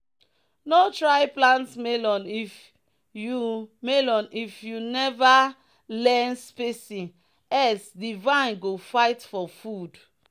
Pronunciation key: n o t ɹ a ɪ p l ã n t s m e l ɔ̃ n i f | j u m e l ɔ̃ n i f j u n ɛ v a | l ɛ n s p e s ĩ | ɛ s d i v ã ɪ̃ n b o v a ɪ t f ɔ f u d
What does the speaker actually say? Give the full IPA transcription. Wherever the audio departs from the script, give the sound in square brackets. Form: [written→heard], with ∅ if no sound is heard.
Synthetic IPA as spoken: n o t ɹ a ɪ p l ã n t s m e l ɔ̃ n i f | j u m e l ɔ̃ n i f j u n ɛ v a | l ɛ n s p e s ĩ | ɛ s d i v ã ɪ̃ n [b→ɡ] o [v→f] a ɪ t f ɔ f u d